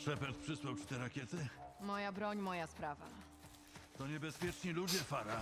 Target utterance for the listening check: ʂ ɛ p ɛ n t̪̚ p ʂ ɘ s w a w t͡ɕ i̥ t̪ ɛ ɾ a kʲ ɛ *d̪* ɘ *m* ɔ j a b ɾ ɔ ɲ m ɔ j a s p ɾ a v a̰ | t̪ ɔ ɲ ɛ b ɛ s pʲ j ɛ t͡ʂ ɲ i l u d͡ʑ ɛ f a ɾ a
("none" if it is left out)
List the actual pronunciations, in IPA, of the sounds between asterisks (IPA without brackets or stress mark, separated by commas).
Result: t̪, m